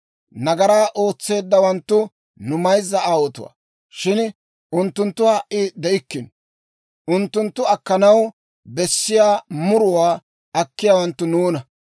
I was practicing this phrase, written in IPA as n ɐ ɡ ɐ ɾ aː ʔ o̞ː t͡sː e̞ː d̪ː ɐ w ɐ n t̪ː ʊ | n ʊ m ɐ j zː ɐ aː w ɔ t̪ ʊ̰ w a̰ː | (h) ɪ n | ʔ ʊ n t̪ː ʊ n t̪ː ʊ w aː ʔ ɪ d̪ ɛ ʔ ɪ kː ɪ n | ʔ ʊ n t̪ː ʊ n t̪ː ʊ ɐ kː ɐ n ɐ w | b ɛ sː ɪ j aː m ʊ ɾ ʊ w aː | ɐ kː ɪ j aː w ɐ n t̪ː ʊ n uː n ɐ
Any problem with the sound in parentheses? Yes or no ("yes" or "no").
yes